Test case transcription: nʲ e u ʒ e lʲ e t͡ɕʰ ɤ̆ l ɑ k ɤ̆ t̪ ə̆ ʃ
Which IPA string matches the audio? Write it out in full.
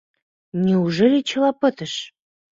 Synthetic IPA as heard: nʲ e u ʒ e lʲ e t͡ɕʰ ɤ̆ l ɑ p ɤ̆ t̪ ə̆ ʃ

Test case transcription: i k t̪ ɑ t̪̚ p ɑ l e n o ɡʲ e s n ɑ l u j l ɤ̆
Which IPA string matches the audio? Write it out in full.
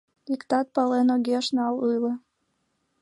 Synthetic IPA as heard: i k t̪ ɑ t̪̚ p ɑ l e n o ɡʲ e ʃ n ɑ l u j l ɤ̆

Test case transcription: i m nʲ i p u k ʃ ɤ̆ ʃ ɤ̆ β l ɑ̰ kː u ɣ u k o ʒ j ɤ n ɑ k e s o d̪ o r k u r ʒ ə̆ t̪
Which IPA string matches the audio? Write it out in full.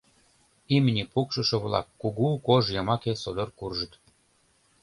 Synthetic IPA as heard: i m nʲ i p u k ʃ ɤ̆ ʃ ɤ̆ β l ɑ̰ kː u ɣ u k o ʒ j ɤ m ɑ k e s o d̪ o r k u r ʒ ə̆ t̪

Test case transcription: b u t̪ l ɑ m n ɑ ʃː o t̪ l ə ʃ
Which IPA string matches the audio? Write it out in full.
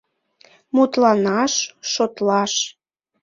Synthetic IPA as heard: m u t̪ l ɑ n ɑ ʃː o t̪ l ɑ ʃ

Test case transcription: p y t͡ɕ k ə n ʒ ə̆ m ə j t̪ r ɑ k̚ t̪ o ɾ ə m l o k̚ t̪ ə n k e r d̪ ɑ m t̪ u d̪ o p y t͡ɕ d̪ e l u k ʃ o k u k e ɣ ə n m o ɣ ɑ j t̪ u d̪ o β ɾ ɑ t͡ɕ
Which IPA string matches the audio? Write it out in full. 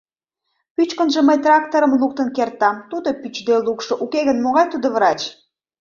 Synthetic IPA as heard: p y t͡ɕ k ə n ʒ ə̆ m ə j t̪ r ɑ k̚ t̪ o ɾ ə m l u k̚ t̪ ə n k e r t̪ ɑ m t̪ u d̪ o p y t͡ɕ d̪ e l u k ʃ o ʔ u k e ɣ ə n m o ɣ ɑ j t̪ u d̪ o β ɾ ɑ t͡ɕ

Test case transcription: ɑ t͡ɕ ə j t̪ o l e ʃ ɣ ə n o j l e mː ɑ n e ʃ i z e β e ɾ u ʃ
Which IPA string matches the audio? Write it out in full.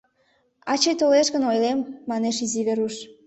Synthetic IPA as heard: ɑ t͡ɕ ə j t̪ o l e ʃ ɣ ə n o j l e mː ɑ n e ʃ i z i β e ɾ u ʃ

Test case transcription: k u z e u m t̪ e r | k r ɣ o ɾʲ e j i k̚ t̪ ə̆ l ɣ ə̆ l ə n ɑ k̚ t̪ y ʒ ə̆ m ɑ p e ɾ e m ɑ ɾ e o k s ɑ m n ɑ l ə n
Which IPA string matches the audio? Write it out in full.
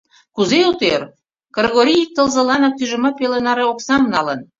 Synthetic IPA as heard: k u z e u t̪ e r | k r ɣ o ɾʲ i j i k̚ t̪ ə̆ l z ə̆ l ɑ n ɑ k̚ t̪ y ʒ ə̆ m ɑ p e l e n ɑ ɾ e o k s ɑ m n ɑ l ə n

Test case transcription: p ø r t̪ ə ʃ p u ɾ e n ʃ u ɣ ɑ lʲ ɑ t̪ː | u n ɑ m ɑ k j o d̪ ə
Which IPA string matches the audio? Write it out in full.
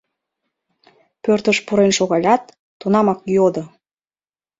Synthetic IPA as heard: p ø r t̪ ə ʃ p u ɾ e n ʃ o ɣ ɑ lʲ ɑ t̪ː | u n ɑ m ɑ k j o d̪ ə

